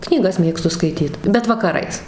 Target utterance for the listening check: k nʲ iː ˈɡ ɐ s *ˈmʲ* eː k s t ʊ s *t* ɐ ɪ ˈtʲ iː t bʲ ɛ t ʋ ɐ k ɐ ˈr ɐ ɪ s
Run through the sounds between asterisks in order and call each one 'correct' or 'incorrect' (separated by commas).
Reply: correct, incorrect